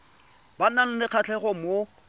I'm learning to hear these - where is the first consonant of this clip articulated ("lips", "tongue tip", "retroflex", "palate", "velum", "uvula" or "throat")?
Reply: lips